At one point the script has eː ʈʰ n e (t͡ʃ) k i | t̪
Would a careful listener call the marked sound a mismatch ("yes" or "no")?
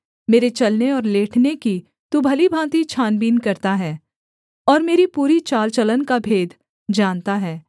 yes